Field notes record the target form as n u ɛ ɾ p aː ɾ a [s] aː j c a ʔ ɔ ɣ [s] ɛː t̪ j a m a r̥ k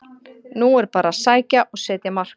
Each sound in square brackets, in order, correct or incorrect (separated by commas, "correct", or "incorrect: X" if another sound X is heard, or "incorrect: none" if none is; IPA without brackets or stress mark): correct, correct